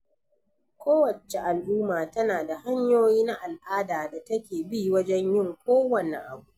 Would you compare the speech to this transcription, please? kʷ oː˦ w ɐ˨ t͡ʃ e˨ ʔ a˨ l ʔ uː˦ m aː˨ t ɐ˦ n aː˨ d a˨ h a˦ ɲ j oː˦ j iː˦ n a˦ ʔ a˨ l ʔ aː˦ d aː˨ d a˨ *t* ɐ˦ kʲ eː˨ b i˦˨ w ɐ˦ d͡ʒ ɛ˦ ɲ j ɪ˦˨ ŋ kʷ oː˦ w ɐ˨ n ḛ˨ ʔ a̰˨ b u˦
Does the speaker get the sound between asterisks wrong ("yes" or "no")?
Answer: no